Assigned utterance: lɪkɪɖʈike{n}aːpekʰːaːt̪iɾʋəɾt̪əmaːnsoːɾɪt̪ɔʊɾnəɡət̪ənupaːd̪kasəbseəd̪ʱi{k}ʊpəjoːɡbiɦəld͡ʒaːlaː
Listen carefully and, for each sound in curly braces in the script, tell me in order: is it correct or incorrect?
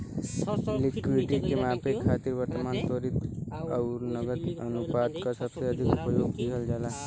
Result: incorrect: m, correct

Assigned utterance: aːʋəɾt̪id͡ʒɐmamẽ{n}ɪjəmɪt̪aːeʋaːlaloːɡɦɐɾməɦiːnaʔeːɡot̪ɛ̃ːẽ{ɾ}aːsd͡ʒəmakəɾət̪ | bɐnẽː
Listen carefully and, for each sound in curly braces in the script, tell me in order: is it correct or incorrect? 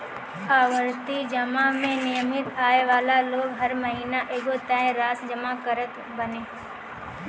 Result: correct, correct

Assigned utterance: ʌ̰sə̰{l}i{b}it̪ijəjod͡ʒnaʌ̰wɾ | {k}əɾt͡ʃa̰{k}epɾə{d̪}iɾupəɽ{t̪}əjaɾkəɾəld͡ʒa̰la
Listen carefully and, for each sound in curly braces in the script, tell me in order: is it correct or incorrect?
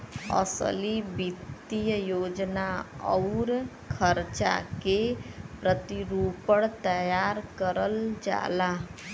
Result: correct, correct, incorrect: kʰ, correct, incorrect: t̪, correct

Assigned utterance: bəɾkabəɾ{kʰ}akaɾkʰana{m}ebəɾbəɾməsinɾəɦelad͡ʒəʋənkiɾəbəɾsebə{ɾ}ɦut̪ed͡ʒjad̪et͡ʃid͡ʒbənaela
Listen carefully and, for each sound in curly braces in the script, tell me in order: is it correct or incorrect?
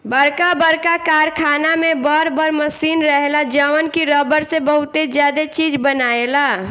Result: incorrect: k, correct, incorrect: none

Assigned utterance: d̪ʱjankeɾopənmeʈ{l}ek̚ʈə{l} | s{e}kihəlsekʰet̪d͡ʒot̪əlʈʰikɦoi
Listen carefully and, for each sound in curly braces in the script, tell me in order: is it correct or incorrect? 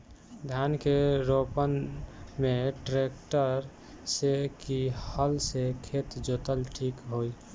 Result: incorrect: ɾ, incorrect: ɾ, correct

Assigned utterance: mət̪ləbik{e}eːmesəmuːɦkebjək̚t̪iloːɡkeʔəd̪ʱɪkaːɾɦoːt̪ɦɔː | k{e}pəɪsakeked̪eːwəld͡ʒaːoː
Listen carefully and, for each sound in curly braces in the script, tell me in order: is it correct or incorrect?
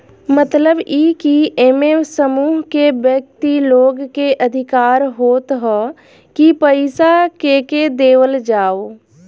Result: incorrect: i, incorrect: i

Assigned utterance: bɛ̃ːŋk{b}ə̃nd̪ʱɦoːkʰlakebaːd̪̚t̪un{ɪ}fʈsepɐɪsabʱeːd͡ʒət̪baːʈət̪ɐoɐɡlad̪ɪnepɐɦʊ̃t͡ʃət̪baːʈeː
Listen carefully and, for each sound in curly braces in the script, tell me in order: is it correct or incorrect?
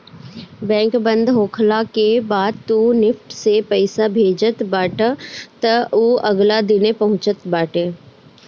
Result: correct, correct

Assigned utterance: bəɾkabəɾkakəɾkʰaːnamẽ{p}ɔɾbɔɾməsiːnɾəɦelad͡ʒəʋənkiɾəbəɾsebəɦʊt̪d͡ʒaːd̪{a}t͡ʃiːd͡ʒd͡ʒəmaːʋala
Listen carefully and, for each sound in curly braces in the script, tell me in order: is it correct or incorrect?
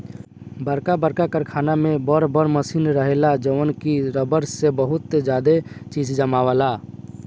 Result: incorrect: b, incorrect: e

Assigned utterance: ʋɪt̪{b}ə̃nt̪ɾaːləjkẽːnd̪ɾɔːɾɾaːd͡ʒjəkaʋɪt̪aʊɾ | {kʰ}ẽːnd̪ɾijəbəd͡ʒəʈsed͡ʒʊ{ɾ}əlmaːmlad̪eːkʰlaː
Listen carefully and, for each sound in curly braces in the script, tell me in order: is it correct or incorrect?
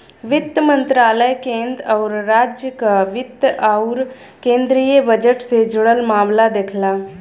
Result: incorrect: m, incorrect: k, incorrect: ɽ

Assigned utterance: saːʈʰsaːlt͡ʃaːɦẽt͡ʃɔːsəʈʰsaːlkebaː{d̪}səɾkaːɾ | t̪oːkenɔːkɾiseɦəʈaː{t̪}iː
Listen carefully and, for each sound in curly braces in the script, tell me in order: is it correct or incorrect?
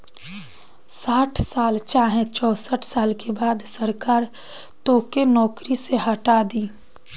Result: correct, incorrect: d̪

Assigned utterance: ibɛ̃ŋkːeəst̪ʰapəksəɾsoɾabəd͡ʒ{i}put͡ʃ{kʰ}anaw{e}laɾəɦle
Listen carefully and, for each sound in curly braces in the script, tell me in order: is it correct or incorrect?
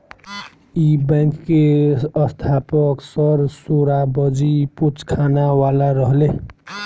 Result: correct, correct, incorrect: a

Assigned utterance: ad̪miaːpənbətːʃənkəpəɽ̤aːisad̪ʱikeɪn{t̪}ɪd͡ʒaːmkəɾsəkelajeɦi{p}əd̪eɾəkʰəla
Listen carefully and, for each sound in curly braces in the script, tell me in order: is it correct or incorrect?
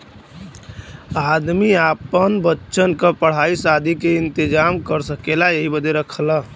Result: correct, incorrect: b

